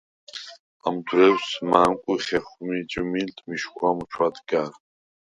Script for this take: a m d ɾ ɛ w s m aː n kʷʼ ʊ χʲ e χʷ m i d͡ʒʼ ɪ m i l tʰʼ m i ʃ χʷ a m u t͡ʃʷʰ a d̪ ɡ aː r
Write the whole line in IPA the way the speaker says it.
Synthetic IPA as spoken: a m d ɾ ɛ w s m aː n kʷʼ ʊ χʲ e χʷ m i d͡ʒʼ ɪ m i l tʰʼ m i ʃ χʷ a m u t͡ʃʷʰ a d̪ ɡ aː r